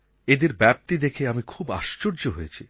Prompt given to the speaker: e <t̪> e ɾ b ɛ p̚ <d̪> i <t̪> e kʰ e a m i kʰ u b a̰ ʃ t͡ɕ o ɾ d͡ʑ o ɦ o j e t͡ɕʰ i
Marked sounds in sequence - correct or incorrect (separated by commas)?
incorrect, incorrect, incorrect